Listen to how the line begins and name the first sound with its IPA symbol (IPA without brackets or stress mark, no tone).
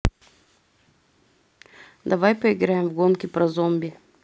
d̪